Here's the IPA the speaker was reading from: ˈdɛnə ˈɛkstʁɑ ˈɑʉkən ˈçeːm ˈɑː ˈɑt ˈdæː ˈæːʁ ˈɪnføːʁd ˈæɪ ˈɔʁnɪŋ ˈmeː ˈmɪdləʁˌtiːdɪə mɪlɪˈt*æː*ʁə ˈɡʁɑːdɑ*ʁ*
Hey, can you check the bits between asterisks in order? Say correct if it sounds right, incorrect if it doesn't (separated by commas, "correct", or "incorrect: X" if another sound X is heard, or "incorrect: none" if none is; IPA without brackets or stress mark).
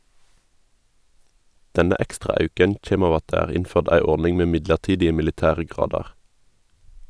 correct, correct